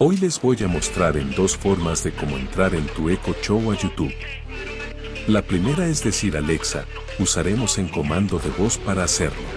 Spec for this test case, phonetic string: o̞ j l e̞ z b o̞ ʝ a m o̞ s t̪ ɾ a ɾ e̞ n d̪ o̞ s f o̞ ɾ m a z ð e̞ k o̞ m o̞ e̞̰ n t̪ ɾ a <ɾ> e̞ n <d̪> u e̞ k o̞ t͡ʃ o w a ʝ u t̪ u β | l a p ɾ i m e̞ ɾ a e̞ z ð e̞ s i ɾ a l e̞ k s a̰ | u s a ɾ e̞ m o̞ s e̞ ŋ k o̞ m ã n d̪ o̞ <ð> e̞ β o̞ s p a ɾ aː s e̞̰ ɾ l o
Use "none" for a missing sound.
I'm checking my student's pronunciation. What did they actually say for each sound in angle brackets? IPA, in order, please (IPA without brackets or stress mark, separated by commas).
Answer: ɾ, t̪, ð